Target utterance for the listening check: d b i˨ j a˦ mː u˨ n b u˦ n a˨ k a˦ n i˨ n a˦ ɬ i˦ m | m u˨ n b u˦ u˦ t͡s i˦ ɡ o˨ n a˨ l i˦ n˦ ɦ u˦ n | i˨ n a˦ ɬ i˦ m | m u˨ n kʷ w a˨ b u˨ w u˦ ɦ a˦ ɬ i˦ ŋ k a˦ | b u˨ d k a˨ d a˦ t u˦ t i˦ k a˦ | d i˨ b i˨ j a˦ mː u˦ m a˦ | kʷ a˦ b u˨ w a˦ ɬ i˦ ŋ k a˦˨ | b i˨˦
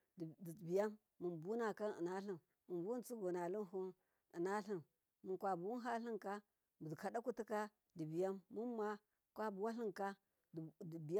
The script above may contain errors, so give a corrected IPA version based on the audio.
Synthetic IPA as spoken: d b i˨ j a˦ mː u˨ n b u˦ n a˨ k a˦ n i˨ n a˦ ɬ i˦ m | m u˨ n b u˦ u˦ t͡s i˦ ɡ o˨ n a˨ l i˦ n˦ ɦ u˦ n | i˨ n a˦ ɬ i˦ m | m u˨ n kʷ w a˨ b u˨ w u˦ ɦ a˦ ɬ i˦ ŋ k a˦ | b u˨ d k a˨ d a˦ k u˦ t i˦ k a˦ | d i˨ b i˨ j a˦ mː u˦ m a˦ | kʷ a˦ b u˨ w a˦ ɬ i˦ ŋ k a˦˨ | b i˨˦